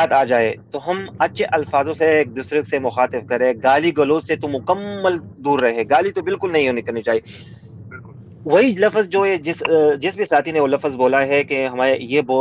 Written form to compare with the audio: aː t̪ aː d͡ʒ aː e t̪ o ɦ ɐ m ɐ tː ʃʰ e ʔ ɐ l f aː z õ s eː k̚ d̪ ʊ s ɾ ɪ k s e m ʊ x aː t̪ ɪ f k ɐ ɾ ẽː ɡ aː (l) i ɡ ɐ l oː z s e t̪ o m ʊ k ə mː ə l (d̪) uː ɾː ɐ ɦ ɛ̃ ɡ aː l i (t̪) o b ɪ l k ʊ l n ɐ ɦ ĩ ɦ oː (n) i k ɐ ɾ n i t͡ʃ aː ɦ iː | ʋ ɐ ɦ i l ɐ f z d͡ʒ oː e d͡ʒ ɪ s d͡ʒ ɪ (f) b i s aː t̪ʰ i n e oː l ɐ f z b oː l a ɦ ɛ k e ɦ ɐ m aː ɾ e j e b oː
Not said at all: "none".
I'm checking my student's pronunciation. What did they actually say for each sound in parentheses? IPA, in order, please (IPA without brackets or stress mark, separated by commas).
l, d̪, t̪, n, s